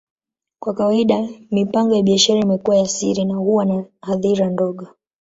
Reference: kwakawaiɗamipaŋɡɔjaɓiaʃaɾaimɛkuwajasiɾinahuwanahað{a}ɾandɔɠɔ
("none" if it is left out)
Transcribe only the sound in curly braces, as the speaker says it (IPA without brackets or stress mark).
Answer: i